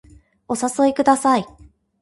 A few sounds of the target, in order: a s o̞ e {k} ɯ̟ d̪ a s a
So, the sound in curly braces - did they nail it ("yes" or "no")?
yes